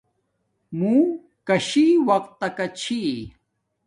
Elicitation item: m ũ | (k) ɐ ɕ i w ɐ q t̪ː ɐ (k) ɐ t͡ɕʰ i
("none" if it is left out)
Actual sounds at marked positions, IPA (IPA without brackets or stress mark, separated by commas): k, k